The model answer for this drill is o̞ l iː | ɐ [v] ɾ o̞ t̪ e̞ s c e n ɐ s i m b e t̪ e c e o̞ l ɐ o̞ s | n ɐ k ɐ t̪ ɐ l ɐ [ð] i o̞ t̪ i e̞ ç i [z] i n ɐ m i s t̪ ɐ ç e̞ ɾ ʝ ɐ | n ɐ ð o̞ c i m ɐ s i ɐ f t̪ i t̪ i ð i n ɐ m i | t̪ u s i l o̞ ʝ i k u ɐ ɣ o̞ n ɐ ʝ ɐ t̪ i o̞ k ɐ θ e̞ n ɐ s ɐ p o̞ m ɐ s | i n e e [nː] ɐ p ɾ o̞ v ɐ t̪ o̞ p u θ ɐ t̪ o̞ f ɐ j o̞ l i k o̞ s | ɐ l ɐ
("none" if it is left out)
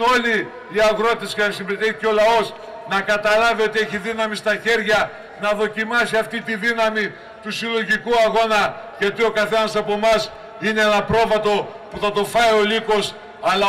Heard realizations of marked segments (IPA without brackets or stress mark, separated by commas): ɣ, v, ð, n